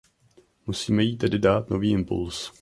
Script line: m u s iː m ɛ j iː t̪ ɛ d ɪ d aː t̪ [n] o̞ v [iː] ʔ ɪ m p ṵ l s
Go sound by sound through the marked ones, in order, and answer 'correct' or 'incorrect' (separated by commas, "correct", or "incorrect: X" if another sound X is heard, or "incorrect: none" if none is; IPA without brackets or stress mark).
correct, correct